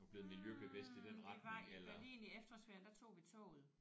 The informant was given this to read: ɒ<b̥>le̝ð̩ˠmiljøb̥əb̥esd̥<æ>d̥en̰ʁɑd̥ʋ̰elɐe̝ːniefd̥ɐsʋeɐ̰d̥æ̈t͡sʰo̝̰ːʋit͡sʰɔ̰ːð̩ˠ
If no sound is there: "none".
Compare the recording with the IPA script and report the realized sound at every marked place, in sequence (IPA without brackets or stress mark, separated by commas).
b̥, i